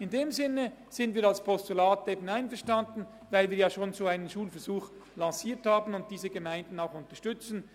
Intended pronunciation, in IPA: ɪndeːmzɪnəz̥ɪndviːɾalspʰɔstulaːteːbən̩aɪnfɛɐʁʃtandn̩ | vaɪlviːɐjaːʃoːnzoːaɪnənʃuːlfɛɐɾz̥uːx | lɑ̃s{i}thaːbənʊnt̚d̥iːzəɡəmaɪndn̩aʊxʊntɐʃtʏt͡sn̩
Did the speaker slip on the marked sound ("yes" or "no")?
yes